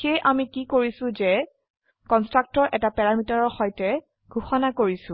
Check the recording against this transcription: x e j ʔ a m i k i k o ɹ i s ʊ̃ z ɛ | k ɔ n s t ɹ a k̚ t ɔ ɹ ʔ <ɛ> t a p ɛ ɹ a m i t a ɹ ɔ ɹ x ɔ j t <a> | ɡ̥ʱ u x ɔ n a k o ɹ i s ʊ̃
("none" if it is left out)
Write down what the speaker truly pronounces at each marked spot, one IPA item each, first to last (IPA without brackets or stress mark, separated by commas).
ɛ, ɛ